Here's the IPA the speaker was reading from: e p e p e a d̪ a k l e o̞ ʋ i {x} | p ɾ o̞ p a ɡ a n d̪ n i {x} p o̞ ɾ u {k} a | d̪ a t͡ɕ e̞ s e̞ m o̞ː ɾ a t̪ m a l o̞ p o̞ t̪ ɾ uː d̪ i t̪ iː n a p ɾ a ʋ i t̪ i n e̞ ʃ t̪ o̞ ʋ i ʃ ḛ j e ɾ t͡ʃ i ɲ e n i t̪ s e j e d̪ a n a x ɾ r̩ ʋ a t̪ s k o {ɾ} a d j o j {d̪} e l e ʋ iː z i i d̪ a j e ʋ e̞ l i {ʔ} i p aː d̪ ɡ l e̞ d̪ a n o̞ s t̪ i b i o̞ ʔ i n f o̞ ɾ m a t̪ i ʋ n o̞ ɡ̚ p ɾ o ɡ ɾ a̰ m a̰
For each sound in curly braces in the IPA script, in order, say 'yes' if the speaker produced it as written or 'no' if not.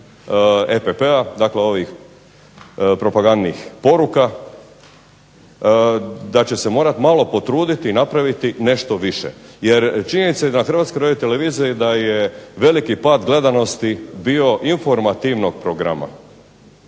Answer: yes, yes, yes, yes, no, no

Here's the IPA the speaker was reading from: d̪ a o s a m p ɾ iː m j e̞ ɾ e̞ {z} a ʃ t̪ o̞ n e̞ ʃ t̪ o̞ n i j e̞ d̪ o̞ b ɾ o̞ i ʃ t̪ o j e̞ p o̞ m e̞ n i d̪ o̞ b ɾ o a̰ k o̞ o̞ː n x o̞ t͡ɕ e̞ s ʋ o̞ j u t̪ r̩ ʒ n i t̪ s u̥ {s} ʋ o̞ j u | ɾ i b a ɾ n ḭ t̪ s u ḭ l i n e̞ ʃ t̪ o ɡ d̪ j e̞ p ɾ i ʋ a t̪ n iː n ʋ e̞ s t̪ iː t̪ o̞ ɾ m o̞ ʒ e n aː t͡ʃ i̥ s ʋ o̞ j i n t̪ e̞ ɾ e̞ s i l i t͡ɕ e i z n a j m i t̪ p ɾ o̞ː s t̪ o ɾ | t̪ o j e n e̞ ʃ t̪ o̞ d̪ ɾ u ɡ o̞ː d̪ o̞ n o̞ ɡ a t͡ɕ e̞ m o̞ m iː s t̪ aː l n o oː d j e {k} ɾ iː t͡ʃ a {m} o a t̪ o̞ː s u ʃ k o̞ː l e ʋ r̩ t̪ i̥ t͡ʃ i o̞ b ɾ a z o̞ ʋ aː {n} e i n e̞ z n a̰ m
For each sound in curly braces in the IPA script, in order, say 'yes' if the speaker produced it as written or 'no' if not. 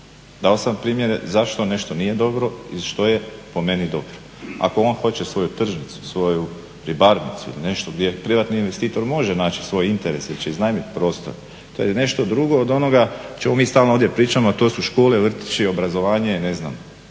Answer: yes, yes, no, yes, no

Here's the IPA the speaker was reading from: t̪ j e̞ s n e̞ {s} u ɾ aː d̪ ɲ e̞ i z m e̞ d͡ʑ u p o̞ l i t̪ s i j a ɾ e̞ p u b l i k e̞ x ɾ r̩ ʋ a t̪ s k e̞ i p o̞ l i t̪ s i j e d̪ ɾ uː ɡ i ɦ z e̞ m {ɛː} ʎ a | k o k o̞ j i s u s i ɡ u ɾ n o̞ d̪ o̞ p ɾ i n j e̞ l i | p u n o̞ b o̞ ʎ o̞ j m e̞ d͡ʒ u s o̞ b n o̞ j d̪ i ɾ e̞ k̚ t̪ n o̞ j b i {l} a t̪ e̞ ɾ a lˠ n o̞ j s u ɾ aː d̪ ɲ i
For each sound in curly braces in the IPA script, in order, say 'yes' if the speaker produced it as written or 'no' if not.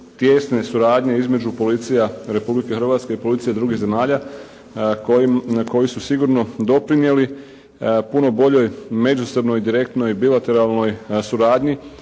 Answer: yes, no, yes

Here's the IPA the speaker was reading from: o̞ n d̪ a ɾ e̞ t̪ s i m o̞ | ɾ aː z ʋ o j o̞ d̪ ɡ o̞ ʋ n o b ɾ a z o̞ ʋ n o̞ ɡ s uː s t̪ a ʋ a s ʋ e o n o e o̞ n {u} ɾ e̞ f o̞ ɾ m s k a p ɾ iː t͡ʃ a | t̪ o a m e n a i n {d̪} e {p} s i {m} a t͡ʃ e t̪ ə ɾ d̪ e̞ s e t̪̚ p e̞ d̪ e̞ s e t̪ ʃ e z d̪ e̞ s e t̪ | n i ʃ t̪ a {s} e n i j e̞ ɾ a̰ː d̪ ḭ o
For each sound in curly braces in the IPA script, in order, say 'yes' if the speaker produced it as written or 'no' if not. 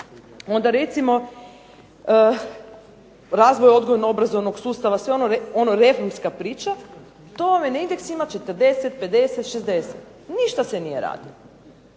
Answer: no, yes, no, yes, yes

